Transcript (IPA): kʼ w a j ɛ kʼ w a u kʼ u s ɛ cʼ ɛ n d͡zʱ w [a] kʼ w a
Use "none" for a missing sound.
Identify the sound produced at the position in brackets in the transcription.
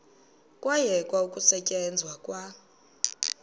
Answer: a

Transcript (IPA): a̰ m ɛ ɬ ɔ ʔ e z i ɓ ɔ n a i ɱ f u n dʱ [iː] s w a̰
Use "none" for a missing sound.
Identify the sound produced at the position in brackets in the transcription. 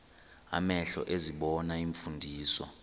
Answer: iː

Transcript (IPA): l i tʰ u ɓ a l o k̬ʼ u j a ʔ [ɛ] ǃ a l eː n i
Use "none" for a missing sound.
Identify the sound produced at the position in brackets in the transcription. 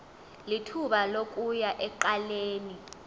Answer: ɛ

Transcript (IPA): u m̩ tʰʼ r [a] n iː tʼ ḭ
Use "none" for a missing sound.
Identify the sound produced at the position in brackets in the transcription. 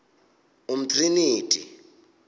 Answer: i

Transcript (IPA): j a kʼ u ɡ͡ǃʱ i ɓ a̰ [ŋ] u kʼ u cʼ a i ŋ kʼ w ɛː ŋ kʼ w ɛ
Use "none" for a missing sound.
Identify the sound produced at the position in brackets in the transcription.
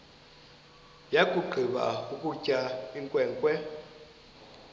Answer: none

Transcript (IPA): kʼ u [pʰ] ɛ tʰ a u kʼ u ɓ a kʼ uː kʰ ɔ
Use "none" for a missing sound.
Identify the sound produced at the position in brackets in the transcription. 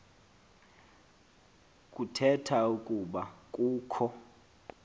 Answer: tʰ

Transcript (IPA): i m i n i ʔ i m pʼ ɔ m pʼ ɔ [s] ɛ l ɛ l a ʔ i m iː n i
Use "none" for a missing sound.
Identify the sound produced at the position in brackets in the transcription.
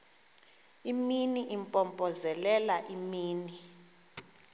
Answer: z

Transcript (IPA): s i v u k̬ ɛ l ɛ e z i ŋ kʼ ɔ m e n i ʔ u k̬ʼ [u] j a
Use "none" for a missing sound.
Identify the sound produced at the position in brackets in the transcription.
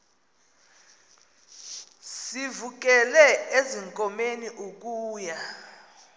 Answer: uː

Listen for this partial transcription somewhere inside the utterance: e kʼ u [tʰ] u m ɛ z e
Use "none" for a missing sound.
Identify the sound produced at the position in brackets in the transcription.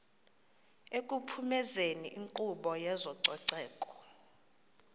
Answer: pʰ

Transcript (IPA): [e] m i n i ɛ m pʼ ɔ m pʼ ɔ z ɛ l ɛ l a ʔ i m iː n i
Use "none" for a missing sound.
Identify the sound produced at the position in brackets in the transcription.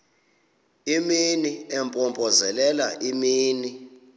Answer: i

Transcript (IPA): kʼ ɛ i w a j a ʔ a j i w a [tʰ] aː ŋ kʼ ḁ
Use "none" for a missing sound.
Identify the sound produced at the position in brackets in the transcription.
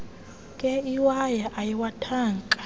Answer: tʰ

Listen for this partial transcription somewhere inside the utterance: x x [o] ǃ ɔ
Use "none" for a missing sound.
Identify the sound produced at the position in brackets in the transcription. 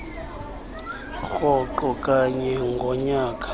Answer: ɔ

